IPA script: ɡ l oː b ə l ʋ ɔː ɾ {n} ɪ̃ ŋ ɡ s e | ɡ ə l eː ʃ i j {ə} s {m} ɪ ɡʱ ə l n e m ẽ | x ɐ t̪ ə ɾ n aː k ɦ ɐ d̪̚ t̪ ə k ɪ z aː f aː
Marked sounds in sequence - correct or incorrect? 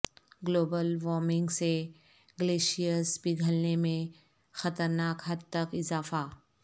incorrect: m, correct, incorrect: b

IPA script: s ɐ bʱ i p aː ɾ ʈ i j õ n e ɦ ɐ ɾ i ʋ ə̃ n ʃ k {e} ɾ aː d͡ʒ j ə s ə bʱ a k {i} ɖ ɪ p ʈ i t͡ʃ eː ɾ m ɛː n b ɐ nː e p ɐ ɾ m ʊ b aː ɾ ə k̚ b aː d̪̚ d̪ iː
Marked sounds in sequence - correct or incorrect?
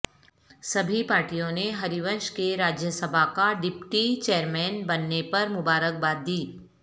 correct, incorrect: a

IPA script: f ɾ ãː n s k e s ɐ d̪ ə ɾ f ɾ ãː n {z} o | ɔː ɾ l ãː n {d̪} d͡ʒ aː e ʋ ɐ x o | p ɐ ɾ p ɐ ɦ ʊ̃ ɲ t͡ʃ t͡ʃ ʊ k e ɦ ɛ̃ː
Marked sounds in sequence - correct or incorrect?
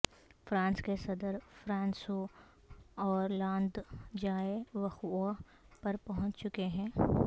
incorrect: s, correct

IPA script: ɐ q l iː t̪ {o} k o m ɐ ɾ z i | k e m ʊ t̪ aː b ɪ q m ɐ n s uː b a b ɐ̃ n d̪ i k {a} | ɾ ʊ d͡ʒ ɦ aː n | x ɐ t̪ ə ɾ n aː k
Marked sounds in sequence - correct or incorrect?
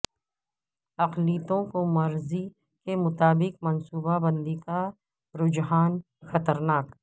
incorrect: õ, correct

